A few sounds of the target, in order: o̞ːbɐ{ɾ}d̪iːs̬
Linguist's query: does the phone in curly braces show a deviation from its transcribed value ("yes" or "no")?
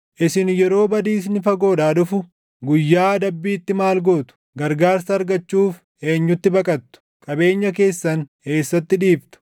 yes